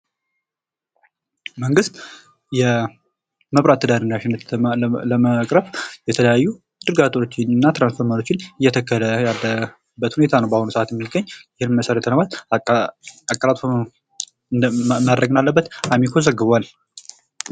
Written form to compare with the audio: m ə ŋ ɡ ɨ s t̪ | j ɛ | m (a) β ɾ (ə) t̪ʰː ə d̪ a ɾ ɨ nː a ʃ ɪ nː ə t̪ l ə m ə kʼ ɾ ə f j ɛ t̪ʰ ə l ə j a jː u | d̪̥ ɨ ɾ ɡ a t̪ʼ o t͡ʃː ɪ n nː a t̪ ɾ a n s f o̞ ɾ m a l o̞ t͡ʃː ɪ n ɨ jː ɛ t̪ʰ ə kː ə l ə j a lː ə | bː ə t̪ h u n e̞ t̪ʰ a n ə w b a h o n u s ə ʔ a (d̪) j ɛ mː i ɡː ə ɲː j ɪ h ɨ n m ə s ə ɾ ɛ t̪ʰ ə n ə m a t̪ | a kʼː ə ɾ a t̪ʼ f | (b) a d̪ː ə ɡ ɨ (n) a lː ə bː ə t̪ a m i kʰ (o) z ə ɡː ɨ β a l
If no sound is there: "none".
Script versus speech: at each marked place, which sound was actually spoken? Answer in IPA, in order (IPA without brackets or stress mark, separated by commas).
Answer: ə, a, t̪, m, n, o